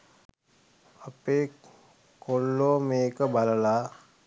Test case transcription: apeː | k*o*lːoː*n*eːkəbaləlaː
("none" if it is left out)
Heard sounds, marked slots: o, m

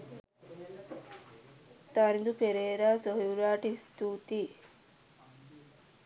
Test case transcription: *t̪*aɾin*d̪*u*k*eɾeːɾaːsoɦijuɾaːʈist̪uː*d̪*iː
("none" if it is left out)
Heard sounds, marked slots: t̪, d̪, p, t̪

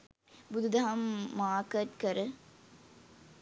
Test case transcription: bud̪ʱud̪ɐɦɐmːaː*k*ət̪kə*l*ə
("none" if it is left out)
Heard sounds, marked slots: k, ɾ

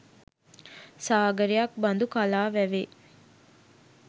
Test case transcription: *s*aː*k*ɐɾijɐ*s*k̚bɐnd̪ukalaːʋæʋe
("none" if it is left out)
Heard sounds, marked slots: s, ɡ, none

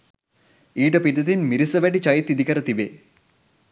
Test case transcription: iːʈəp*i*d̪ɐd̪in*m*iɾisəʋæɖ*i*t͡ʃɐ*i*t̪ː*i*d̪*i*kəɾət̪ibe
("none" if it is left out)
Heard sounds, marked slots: i, m, i, j, i, i

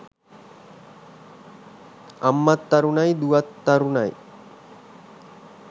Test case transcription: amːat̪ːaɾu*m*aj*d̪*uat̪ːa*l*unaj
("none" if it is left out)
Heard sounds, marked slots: n, d̪, ɾ

